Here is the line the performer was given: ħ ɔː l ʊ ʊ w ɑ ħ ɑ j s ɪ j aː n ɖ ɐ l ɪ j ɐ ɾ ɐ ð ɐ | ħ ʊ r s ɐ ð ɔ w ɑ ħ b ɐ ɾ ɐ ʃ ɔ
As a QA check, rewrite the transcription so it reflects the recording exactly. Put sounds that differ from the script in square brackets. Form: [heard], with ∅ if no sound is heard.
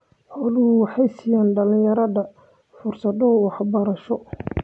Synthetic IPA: ħ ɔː l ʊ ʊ w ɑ ħ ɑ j s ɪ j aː n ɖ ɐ l ɪ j ɐ ɾ ɐ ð ɐ | [f] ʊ r s ɐ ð ɔ w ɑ ħ b ɐ ɾ ɐ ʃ ɔ